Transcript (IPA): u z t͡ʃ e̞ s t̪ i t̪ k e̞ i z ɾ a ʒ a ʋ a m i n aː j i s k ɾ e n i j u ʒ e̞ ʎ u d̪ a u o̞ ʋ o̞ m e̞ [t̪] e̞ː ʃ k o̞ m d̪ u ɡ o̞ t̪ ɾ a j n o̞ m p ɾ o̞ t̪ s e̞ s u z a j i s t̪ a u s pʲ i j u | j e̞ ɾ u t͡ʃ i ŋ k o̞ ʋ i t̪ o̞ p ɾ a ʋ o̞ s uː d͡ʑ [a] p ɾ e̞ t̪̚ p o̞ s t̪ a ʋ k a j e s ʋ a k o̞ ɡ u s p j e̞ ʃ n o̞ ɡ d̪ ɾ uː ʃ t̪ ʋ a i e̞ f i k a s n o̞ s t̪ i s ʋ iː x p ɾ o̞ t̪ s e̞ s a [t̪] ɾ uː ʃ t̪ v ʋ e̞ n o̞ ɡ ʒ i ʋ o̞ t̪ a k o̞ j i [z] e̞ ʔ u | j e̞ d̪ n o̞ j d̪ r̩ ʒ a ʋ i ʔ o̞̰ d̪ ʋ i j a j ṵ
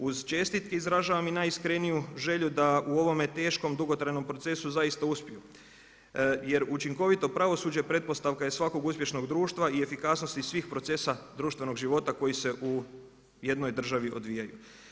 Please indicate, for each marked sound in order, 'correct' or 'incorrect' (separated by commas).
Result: correct, incorrect, incorrect, incorrect